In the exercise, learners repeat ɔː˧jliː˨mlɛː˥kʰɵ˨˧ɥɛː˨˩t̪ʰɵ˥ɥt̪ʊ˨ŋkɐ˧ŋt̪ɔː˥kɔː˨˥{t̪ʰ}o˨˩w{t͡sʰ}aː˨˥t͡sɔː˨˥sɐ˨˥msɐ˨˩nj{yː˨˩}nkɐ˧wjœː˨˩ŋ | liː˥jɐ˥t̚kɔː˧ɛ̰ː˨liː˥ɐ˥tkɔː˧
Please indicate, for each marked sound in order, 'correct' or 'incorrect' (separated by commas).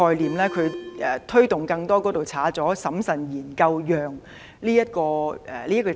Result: incorrect, correct, incorrect